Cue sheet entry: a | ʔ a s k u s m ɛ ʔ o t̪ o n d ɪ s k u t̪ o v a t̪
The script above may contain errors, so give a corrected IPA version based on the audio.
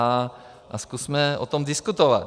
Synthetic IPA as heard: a | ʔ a s k u s m ɛ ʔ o t̪ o m d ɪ s k u t̪ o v a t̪

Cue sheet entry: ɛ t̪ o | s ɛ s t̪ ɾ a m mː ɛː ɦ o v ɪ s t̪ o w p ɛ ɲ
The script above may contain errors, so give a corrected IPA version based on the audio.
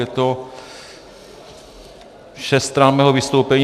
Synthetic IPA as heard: ɛ t̪ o | ʃ ɛ s t̪ ɾ a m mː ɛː ɦ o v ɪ s t̪ o w p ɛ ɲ

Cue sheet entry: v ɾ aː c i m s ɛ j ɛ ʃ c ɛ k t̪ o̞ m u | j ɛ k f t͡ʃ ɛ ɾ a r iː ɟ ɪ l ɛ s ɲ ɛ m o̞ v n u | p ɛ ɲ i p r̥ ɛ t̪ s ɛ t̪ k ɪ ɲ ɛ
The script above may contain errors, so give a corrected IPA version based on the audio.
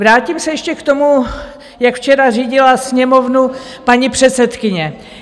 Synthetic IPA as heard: v ɾ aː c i m s ɛ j ɛ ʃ c ɛ k t̪ o̞ m u | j a k f t͡ʃ ɛ ɾ a r iː ɟ ɪ l a s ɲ ɛ m o̞ v n u | p a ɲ i p r̥ ɛ t̪ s ɛ t̪ k ɪ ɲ ɛ

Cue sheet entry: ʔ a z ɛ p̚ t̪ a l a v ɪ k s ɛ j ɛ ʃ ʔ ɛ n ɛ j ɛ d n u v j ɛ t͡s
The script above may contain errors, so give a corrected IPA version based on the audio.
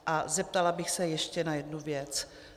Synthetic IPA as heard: ʔ a z ɛ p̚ t̪ a l a b ɪ x s ɛ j ɛ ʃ c ɛ n a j ɛ d n u v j ɛ t͡s

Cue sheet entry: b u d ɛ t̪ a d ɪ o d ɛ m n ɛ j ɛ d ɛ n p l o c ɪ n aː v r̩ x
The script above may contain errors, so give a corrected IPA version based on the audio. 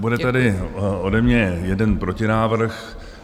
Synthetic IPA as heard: b u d ɛ t̪ a d ɪ o d ɛ m ɲ ɛ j ɛ d ɛ n p ɾ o c ɪ n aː v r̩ x

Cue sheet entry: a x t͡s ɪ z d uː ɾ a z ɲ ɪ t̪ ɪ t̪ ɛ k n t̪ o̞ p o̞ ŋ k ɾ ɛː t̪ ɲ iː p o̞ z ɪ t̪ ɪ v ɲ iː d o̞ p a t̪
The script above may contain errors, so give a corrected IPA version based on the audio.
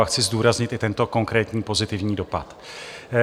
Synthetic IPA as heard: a x t͡s ɪ z d uː ɾ a z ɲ ɪ t̪ ɪ t̪ ɛ n t̪ o̞ k o̞ ŋ k ɾ ɛː t̪ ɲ iː p o̞ z ɪ t̪ ɪ v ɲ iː d o̞ p a t̪

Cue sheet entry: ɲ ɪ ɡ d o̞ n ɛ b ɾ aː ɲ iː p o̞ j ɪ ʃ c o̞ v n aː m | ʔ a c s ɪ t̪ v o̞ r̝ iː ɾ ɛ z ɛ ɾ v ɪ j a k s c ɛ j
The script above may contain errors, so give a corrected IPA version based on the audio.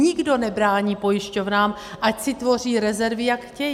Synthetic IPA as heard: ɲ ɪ ɡ d o̞ n ɛ b ɾ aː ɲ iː p o̞ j ɪ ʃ c o̞ v n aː m | ʔ a c s ɪ t̪ v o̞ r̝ iː ɾ ɛ z ɛ ɾ v ɪ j a k x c ɛ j

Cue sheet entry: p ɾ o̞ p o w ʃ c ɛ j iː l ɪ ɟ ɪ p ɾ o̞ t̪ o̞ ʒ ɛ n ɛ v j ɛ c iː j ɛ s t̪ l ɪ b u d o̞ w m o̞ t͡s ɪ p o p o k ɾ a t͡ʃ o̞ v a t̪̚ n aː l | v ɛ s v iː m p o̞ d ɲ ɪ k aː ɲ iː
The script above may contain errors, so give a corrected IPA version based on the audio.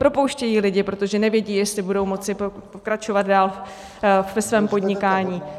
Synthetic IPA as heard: p ɾ o̞ p o w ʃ c ɛ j iː l ɪ ɟ ɪ p ɾ o̞ t̪ o̞ ʒ ɛ n ɛ v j ɛ ɟ iː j ɛ s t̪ l ɪ b u d o̞ w m o̞ t͡s ɪ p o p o k ɾ a t͡ʃ o̞ v a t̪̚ d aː l | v ɛ s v ɛː m p o̞ d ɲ ɪ k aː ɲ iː

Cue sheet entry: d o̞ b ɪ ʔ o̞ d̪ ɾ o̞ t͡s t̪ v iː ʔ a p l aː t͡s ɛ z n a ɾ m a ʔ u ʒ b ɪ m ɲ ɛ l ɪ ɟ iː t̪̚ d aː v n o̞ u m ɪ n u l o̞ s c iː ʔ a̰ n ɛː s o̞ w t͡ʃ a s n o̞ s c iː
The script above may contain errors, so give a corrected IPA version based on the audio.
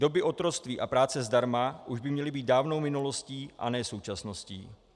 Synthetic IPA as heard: d o̞ b ɪ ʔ o̞ t̪ ɾ o̞ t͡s t̪ v iː ʔ a p ɾ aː t͡s ɛ z d a ɾ m a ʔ u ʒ b ɪ m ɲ ɛ l ɪ b iː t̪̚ d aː v n o̞ w m ɪ n u l o̞ s c iː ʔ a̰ n ɛː s o̞ w t͡ʃ a s n o̞ s c iː

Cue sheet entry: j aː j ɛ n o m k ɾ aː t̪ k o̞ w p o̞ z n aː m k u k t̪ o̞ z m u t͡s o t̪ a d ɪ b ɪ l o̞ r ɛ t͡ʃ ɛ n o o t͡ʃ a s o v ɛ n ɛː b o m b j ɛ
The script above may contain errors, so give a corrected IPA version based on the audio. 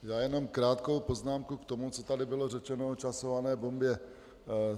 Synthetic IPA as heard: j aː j ɛ n o m k ɾ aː t̪ k o̞ w p o̞ z n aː m k u k t̪ o̞ m u t͡s o t̪ a d ɪ b ɪ l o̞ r ɛ t͡ʃ ɛ n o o t͡ʃ a s o v a n ɛː b o m b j ɛ

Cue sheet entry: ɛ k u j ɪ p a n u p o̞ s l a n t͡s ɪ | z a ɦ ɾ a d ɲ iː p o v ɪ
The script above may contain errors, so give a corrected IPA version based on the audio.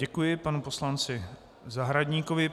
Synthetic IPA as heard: ɛ k u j ɪ p a n u p o̞ s l a n t͡s ɪ | z a ɦ ɾ a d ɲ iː k o v ɪ

